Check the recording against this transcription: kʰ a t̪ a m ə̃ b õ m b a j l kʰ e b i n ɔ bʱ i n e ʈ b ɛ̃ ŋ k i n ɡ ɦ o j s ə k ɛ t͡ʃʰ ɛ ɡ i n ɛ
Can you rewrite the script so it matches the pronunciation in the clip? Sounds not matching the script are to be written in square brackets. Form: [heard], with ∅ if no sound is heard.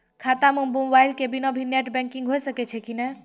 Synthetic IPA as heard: kʰ a t̪ a m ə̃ b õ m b a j l [k] e b i n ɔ bʱ i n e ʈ b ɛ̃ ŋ k i [ŋ] ɡ ɦ o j s ə k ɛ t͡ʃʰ ɛ [k] i n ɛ